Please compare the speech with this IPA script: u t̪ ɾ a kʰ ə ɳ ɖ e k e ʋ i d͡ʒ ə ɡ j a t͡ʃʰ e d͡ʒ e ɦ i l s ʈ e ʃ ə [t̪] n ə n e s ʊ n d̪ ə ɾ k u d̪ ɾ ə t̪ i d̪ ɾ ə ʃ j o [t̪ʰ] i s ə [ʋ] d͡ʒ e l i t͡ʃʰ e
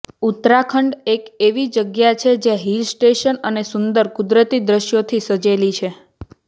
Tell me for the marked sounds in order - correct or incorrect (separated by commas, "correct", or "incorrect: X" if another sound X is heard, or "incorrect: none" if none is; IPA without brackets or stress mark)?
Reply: incorrect: none, correct, incorrect: none